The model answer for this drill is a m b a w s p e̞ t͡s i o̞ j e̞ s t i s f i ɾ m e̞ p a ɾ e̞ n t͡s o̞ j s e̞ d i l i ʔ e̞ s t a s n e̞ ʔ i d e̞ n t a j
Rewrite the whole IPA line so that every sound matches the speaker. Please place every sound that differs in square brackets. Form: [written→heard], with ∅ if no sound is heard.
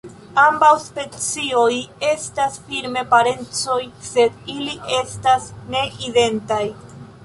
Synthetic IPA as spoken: a m b a w s p e̞ t͡s i o̞ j e̞ s t [i→a] s f i ɾ m e̞ p a ɾ e̞ n t͡s o̞ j s e̞ d i l i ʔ e̞ s t a s n e̞ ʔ i d e̞ n t a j